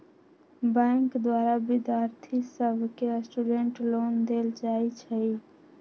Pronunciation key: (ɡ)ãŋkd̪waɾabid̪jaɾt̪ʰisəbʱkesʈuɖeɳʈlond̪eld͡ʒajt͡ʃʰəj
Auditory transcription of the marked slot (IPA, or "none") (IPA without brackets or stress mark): b